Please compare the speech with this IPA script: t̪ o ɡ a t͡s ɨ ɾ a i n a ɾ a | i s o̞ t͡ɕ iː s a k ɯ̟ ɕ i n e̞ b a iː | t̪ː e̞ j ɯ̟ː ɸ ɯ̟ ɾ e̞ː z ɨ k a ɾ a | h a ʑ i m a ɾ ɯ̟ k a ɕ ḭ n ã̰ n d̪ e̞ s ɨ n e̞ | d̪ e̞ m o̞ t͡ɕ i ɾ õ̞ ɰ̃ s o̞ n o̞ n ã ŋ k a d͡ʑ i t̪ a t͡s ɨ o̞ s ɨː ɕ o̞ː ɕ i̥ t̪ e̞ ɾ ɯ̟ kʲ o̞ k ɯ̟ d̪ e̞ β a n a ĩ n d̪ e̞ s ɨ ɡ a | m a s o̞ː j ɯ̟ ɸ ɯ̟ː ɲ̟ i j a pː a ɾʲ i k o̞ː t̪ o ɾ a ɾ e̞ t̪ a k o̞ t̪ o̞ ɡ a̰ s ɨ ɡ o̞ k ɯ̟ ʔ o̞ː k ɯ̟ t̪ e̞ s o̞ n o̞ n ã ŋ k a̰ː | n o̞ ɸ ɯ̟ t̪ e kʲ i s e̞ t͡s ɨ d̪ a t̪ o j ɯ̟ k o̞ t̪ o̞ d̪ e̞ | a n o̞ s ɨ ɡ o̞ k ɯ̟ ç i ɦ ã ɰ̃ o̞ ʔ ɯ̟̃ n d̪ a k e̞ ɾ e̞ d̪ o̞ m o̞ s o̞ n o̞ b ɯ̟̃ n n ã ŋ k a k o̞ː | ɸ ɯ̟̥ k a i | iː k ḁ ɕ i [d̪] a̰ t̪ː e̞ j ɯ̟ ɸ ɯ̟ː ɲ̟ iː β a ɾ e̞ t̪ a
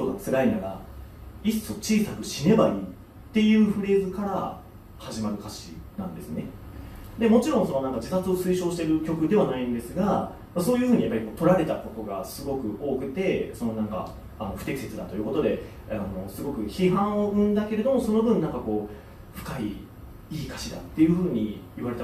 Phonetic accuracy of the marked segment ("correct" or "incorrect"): correct